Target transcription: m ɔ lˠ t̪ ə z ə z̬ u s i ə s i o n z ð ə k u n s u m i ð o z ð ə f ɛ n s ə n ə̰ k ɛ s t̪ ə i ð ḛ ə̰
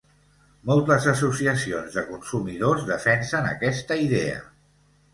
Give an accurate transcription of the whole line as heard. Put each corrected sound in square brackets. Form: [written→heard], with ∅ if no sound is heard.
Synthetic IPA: m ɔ lˠ t̪ ə z ə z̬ u s i ə s i o n z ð ə k u n s u m i ð o z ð ə f ɛ n s ə n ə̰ k ɛ s t̪ ə i ð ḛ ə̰